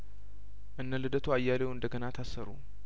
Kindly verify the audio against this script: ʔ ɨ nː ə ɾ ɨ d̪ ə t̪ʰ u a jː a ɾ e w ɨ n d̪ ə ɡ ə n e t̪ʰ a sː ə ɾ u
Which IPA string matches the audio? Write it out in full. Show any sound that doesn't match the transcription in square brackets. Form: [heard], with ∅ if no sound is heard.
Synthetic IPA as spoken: ʔ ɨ nː ə [l] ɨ d̪ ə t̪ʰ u a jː a [l] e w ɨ n d̪ ə ɡ ə n [a] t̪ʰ a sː ə ɾ u